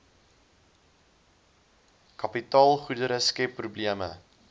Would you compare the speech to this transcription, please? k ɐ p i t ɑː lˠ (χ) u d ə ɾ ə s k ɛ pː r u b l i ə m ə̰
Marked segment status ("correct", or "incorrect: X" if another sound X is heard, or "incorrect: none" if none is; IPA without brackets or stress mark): correct